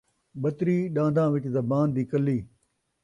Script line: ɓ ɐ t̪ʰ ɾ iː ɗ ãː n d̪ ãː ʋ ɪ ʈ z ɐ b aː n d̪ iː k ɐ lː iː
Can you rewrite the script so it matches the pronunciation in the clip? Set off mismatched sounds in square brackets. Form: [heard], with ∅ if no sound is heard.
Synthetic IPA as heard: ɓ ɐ [t̪] ɾ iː ɗ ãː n d̪ ãː ʋ ɪ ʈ z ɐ b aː n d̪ iː k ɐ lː iː